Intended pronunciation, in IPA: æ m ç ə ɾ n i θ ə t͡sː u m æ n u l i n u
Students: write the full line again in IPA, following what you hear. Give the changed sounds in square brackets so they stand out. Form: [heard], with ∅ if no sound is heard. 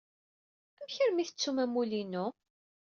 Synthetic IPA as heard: æ m ç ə ɾ [m] i θ ə t͡sː u m æ [m] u l i n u